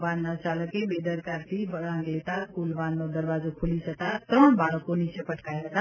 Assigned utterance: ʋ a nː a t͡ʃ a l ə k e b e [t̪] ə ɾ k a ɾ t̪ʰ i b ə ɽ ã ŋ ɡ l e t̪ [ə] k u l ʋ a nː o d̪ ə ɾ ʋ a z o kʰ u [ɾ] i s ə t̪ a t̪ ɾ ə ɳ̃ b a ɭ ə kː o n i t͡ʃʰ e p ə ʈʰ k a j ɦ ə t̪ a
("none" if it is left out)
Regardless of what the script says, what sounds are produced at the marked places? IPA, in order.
d̪, a, l

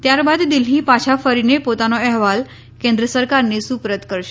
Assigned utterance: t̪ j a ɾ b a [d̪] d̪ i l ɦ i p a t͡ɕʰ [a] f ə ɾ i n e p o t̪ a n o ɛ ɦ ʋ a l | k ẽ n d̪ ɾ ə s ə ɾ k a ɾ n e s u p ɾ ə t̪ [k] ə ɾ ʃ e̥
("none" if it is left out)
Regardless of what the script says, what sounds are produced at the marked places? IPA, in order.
d̪, a, k

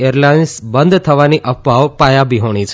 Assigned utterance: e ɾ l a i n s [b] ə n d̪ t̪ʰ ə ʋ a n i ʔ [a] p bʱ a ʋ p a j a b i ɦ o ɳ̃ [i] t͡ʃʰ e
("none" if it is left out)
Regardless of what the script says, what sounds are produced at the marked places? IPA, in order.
b, ə, i

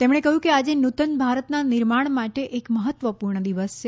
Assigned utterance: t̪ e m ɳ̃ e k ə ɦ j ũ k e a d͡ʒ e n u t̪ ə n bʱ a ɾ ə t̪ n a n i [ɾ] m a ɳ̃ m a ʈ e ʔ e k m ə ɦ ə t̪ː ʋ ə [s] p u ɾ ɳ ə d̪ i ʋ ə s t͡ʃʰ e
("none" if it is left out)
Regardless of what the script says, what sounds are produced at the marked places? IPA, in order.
ɾ, none

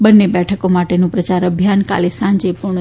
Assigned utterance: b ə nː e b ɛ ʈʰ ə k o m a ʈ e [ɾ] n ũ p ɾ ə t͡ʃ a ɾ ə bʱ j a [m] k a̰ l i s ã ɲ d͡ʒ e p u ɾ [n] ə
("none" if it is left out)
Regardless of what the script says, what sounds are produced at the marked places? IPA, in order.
none, n, ɳ

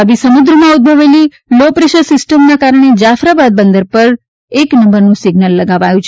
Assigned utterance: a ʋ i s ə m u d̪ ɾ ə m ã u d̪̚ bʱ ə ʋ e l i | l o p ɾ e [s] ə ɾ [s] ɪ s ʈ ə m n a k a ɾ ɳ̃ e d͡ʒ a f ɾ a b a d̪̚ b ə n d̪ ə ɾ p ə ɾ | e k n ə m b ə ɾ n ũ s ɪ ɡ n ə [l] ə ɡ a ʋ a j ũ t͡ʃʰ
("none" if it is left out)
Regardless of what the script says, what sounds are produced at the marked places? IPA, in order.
ʃ, s, lː

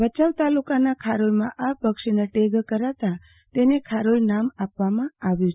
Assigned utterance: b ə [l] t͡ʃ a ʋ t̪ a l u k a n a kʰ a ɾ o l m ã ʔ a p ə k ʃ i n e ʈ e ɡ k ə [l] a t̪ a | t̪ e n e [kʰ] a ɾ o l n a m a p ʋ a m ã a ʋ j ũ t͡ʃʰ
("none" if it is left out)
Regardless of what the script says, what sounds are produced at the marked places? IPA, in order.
none, ɾ, kʰ

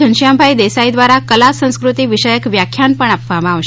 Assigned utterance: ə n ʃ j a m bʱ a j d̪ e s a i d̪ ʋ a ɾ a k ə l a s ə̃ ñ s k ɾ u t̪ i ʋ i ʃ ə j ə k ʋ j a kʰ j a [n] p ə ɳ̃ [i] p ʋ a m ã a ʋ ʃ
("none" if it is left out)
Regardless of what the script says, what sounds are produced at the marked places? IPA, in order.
n, a

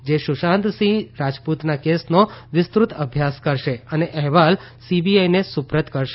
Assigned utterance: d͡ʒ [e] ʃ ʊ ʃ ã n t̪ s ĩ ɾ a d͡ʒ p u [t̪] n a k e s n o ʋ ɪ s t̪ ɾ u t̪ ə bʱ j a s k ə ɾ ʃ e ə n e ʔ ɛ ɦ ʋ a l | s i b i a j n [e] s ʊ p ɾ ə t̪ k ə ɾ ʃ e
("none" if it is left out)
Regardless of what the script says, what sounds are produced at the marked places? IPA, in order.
e, t̪, e

